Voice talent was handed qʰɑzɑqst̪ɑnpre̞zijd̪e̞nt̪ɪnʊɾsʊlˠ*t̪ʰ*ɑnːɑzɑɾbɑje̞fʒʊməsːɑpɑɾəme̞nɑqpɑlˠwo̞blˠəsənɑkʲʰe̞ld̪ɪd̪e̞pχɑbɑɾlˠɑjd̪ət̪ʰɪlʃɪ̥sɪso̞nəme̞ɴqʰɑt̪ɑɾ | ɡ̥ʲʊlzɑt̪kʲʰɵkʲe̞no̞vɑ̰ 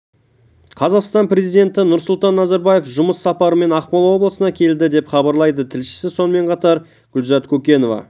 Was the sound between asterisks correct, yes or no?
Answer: no